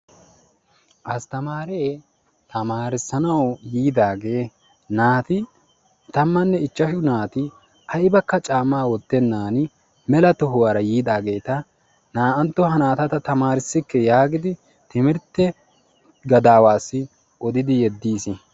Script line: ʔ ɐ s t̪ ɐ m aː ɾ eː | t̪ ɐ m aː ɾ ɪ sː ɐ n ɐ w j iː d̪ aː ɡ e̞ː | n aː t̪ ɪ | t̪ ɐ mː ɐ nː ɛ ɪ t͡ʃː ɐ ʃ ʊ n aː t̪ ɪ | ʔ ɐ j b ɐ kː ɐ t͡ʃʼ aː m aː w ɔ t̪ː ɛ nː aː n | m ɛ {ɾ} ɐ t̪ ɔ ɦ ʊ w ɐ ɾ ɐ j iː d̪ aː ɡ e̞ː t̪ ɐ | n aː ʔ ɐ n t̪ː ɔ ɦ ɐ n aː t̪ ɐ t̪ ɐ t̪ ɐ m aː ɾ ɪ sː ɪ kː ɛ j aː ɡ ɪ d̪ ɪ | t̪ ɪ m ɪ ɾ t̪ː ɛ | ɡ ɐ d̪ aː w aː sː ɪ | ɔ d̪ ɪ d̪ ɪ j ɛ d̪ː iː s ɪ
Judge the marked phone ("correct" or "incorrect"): incorrect